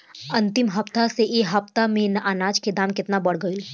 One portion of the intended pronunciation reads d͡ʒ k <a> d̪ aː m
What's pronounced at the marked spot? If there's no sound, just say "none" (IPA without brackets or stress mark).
e